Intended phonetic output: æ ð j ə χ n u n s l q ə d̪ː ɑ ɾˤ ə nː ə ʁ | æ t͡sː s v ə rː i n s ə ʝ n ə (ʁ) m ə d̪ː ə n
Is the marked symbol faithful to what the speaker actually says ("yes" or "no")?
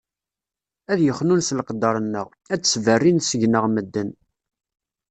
yes